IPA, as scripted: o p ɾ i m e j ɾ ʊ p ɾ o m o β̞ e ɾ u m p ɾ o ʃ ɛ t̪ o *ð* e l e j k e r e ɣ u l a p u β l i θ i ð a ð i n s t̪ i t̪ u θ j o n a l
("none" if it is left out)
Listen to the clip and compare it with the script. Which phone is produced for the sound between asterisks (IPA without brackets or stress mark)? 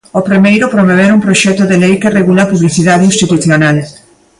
ð